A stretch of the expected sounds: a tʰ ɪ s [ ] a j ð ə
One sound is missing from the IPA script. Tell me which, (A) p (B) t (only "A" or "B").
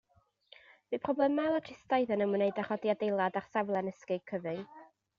B